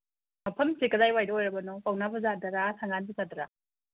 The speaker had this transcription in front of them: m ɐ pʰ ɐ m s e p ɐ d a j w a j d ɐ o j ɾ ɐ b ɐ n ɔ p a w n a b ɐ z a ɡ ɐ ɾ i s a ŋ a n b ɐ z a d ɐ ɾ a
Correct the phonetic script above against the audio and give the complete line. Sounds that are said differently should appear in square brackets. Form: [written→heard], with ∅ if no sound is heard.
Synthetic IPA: m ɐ pʰ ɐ m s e [p→k] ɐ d a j w a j d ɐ o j ɾ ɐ b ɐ n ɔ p a w n a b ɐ z a [ɡ→d] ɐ ɾ [i→a] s a ŋ a n b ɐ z a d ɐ ɾ a

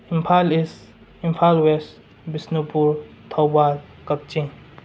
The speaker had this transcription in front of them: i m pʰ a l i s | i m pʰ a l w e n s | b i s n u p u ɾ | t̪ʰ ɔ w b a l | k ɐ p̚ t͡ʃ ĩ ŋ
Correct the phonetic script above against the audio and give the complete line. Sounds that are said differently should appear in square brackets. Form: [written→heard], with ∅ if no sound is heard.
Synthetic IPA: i m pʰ a l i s | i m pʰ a l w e [n→∅] s | b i s n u p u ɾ | t̪ʰ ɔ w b a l | k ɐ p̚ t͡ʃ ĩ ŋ

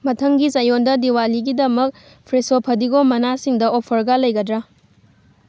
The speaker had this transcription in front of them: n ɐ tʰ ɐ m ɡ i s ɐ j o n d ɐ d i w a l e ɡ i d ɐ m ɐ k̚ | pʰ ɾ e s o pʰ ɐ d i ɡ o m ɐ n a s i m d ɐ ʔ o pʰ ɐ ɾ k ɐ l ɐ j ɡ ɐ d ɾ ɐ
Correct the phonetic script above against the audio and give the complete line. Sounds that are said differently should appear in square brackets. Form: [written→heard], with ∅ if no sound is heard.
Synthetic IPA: [n→m] ɐ tʰ ɐ [m→ŋ] ɡ i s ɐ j o n d ɐ d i w a l [e→i] ɡ i d ɐ m ɐ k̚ | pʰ ɾ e s o pʰ ɐ d i ɡ o m ɐ n a s i [m→ŋ] d ɐ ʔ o pʰ ɐ ɾ [k→ɡ] ɐ l ɐ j ɡ ɐ d ɾ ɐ

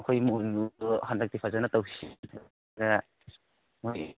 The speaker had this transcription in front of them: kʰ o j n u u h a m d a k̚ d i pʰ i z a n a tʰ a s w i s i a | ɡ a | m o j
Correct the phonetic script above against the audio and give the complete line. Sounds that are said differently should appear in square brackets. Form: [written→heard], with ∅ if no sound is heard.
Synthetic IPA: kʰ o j [n→m] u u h a [m→n] d a k̚ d i pʰ [i→a] z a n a [tʰ→t] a [s→∅] w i s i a | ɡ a | m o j

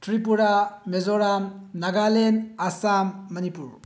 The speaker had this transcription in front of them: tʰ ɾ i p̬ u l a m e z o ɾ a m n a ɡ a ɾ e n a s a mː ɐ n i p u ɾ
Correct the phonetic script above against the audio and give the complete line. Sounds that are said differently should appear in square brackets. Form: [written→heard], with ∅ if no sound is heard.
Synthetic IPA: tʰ ɾ i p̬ u [l→ɾ] a m e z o ɾ a m n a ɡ a [ɾ→l] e n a s a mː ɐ n i p u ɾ

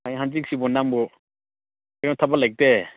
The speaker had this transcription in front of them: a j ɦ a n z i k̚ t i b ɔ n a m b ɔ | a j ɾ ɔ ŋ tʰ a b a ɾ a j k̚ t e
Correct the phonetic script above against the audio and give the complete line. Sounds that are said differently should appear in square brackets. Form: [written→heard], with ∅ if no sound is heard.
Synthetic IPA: a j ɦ a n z i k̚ [t→s] i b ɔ n a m b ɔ | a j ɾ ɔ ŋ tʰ a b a [ɾ→l] a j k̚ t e

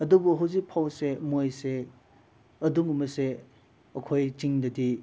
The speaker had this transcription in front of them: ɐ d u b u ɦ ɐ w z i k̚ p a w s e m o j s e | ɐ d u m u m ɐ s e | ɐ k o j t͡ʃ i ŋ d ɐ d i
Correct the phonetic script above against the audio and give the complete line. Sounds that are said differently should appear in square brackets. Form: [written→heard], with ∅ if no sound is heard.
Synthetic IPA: ɐ d u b u ɦ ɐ w z i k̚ [p→pʰ] a w s e m o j s e | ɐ d u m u m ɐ s e | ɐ [k→kʰ] o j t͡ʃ i ŋ d ɐ d i

